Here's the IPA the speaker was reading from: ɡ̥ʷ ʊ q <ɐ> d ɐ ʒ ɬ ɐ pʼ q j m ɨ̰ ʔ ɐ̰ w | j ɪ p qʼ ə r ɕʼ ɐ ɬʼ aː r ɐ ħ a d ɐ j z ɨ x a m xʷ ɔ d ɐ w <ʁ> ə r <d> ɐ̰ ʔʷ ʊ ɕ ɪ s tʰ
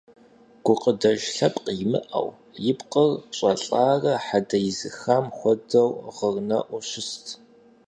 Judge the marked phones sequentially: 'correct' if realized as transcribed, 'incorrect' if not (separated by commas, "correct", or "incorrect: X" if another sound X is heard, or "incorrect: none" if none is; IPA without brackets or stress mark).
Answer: incorrect: ə, correct, incorrect: n